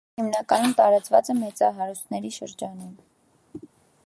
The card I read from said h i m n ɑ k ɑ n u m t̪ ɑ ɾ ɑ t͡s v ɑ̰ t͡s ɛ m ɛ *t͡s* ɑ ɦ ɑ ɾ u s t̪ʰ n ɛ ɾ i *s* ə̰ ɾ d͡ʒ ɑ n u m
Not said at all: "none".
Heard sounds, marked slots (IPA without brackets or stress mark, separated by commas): t͡s, ʃ